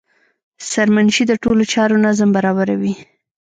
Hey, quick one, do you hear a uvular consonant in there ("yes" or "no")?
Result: no